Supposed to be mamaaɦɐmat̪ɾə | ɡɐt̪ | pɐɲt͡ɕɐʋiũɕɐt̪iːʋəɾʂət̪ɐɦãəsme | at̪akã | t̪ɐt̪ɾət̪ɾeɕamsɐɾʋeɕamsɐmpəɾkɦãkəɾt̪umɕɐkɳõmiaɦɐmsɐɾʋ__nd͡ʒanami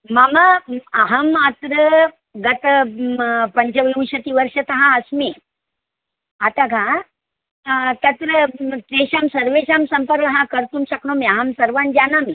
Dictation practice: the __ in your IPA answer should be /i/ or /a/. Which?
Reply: a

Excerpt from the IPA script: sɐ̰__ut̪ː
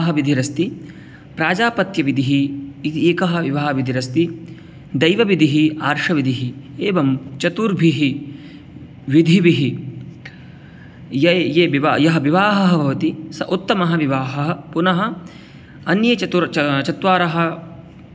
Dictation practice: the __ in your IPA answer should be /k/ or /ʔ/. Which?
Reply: ʔ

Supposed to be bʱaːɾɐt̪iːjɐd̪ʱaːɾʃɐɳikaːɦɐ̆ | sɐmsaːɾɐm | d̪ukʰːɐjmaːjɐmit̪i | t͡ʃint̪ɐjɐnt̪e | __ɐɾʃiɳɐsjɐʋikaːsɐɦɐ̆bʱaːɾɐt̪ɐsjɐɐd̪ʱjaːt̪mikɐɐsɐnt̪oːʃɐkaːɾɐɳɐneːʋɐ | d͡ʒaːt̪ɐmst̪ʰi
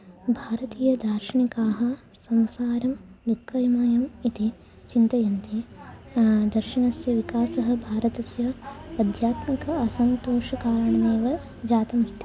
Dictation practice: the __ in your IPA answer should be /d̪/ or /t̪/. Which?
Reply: d̪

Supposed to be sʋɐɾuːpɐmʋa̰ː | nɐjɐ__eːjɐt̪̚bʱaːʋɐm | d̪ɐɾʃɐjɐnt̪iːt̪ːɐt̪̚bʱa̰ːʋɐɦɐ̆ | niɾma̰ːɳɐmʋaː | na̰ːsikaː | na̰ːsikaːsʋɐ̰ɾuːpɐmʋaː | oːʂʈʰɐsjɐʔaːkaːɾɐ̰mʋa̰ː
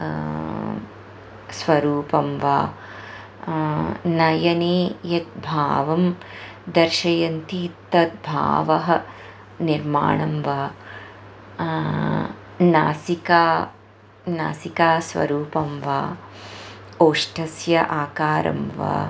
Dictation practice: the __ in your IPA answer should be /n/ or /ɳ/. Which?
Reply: n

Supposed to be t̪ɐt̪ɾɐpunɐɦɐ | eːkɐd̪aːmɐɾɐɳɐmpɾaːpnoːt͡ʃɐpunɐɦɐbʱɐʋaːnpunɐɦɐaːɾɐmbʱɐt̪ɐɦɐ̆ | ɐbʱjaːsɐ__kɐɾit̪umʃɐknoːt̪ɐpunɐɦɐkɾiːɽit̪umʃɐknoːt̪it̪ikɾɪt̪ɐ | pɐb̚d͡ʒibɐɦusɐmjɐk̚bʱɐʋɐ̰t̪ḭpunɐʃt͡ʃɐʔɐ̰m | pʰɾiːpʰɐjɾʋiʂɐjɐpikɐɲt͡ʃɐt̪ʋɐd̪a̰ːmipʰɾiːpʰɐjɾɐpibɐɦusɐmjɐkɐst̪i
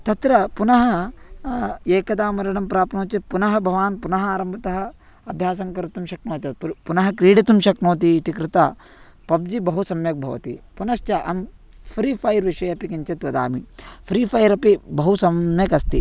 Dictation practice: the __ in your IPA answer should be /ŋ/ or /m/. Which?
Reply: ŋ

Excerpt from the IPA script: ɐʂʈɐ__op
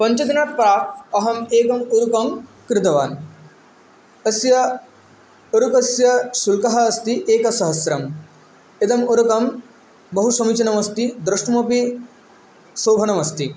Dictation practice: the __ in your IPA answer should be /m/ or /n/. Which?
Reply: m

